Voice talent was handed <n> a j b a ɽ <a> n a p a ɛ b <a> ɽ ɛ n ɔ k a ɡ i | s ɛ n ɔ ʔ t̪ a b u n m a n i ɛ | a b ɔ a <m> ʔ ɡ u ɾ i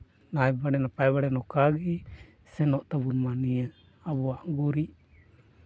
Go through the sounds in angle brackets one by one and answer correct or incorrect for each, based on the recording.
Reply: correct, incorrect: ɛ, correct, incorrect: none

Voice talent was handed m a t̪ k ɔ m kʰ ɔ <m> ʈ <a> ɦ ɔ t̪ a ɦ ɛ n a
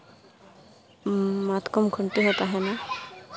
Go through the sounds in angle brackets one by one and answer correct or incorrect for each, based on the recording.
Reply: incorrect: ɳ, incorrect: i

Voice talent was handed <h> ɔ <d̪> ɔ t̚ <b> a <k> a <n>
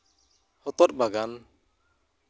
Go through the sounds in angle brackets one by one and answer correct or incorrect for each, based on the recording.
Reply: correct, incorrect: t̪, correct, incorrect: ɡ, correct

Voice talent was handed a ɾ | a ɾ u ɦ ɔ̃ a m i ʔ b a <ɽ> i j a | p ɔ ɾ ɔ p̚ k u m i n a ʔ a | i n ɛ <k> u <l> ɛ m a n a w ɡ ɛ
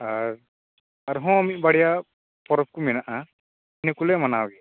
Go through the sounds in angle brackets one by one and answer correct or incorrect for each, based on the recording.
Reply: correct, correct, correct

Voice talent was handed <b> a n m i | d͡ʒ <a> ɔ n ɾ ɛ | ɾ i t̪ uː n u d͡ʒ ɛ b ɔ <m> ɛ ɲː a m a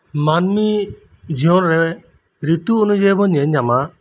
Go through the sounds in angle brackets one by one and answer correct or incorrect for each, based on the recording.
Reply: incorrect: m, incorrect: i, incorrect: ɲ

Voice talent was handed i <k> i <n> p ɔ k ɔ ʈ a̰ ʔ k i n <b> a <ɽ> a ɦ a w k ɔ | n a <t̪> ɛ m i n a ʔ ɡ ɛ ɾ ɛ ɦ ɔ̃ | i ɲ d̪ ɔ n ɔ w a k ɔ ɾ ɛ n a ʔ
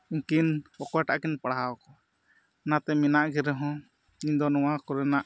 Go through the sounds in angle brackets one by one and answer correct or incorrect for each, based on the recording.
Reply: correct, correct, incorrect: p, correct, correct

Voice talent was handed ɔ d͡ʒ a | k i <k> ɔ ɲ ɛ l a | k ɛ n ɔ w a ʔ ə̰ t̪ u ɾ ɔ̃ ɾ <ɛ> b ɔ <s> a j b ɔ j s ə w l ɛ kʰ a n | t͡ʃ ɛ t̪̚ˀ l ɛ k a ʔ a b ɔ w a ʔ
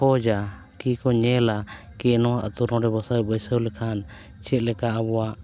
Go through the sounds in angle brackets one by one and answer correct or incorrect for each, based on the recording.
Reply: correct, correct, correct

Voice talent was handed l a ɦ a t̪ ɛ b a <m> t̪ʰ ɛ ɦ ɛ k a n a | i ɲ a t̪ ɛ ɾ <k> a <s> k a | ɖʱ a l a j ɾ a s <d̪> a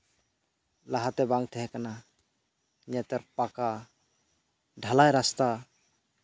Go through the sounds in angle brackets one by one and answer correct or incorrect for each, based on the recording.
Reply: incorrect: ŋ, incorrect: p, incorrect: none, incorrect: t̪

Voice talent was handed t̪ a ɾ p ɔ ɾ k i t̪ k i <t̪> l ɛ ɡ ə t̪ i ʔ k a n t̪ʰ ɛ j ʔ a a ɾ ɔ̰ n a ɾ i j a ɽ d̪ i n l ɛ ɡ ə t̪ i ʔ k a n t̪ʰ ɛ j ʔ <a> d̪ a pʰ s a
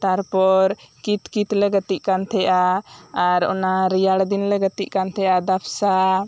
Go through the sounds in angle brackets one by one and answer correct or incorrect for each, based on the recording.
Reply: correct, correct

